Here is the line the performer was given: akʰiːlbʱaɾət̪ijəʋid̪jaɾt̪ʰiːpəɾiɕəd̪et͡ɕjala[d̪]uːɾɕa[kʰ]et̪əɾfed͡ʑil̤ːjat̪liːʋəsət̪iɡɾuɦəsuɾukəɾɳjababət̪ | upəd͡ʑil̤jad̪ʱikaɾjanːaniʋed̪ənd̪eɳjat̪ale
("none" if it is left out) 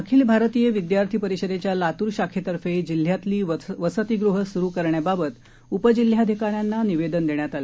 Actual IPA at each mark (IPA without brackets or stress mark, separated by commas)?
t̪, kʰ